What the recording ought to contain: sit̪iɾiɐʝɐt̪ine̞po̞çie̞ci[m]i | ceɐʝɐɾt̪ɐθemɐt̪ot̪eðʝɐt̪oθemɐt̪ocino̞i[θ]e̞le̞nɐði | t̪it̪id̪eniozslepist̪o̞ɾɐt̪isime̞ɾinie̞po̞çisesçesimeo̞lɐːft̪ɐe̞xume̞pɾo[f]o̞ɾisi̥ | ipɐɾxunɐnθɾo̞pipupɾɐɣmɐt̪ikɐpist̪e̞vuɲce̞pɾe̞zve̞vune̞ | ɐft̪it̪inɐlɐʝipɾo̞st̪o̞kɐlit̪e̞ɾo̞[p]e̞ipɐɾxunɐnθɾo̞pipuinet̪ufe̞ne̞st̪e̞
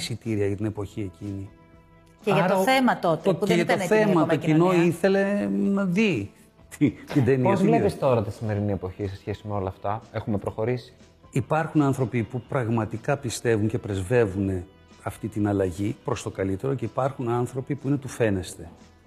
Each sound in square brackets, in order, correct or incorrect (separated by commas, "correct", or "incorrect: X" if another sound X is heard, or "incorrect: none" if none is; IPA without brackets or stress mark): incorrect: n, correct, incorrect: x, incorrect: c